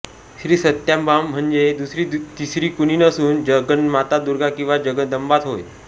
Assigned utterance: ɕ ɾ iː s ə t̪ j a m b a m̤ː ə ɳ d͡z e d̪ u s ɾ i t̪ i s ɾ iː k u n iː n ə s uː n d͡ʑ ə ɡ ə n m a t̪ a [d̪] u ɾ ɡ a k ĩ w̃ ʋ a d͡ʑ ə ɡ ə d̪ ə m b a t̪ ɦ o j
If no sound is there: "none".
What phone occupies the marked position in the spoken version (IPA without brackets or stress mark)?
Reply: d̪